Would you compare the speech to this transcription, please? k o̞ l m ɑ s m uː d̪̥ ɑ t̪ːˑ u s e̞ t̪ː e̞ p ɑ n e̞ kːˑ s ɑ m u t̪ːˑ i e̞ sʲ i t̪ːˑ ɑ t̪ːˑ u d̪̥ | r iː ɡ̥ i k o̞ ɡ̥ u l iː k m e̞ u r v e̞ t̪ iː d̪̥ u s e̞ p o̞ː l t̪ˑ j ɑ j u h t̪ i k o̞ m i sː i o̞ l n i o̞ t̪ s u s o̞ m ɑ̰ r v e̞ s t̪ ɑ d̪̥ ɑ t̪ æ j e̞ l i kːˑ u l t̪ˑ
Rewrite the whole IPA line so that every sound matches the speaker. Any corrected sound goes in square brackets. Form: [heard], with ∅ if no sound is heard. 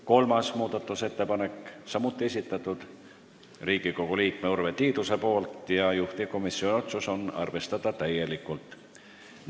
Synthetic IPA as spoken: k o̞ l m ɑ s m uː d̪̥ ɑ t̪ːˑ u s e̞ t̪ː e̞ p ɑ n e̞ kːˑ s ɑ m u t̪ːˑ i e̞ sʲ i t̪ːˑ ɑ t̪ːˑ u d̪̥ | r iː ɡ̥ i k o̞ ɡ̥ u l iː k m e̞ u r v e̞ t̪ iː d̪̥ u s e̞ p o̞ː l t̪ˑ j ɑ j u h t̪ i k o̞ m i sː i o̞ [∅] n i o̞ t̪ s u s o̞ [n] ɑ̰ r v e̞ s t̪ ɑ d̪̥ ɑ t̪ æ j e̞ l i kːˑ u l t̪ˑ